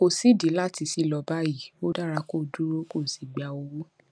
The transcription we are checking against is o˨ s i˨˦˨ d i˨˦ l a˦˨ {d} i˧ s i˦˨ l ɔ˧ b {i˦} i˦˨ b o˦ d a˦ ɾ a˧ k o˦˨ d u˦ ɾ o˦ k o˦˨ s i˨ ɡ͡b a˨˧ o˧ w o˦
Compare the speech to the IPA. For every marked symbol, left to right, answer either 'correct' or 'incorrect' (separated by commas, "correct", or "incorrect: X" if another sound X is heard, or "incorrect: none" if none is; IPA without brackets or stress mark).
incorrect: t, incorrect: a˦